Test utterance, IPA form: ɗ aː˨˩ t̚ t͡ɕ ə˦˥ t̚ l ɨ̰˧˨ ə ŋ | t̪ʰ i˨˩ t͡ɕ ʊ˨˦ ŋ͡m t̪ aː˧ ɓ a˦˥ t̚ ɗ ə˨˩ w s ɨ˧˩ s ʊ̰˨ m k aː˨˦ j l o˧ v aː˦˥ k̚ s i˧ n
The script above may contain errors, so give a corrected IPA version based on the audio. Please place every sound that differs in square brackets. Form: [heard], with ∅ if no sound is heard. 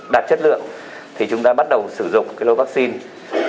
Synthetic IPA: ɗ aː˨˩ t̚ t͡ɕ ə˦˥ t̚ l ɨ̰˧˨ ə ŋ | t̪ʰ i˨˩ t͡ɕ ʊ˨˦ ŋ͡m t̪ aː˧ ɓ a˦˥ t̚ ɗ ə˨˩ w s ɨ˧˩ [z] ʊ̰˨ [ŋ͡m] k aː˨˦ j l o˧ v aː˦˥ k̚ s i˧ n